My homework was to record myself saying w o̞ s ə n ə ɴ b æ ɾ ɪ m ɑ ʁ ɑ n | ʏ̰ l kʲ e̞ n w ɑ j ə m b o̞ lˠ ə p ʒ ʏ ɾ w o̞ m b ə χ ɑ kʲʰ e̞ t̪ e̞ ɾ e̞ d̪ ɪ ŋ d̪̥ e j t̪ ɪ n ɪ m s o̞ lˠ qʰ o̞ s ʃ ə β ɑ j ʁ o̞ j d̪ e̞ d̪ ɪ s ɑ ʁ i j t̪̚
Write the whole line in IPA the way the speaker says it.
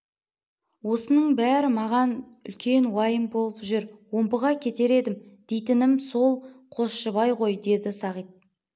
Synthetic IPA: w o̞ s ə n ə ɴ b æ ɾ ɪ m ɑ ʁ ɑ n | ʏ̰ l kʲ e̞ n w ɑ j ə m b o̞ lˠ ə p ʒ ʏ ɾ w o̞ m b ə ʁ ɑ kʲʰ e̞ t̪ e̞ ɾ e̞ d̪ ɪ m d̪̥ e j t̪ ɪ n ɪ m s o̞ lˠ qʰ o̞ s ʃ ə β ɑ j ʁ o̞ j d̪ e̞ d̪ ɪ s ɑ ʁ i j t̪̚